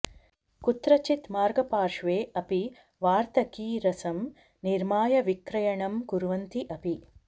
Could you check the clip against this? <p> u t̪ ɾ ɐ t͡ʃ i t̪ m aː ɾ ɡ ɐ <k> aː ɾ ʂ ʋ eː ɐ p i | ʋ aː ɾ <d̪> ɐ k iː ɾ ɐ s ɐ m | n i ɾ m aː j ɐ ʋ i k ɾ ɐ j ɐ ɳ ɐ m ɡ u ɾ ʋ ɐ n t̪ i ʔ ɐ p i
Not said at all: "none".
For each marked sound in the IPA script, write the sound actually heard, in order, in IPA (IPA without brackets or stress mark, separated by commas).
k, p, t̪